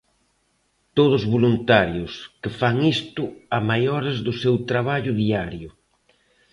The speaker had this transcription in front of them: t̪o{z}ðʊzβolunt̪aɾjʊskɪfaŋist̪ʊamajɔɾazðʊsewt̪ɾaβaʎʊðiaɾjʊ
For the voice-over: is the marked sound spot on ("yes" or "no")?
no